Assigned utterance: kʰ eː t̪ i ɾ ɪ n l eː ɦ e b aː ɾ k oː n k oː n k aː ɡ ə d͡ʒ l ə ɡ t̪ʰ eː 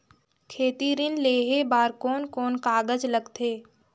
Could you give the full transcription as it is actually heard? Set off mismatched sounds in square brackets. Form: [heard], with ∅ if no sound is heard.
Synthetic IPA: kʰ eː t̪ i ɾ ɪ n l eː ɦ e b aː ɾ k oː n k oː n k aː ɡ ə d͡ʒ l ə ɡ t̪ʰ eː